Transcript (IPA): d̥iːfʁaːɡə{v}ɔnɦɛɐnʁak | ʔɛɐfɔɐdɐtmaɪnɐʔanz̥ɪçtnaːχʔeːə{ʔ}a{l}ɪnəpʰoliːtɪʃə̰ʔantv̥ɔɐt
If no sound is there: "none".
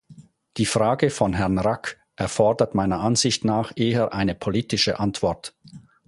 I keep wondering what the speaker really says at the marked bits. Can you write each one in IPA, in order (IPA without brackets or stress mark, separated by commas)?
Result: f, ʔ, none